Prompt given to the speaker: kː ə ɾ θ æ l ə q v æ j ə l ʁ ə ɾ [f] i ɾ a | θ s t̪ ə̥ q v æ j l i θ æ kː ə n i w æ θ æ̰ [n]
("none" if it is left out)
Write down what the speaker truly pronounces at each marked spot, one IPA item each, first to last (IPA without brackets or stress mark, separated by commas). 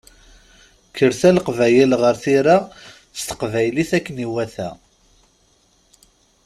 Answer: θ, none